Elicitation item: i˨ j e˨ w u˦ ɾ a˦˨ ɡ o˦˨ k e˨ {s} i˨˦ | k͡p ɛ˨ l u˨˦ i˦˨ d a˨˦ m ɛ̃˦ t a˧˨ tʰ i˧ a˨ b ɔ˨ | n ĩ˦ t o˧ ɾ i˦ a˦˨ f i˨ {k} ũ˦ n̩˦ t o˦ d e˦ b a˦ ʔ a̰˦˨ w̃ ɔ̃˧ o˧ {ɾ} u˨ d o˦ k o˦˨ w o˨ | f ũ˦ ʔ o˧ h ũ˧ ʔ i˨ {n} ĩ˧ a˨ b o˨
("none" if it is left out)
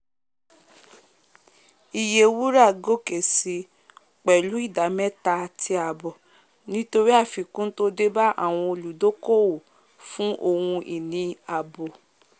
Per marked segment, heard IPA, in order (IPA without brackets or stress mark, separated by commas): s, k, l, n